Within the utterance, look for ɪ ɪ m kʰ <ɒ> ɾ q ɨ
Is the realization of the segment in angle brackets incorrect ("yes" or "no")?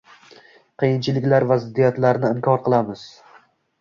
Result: no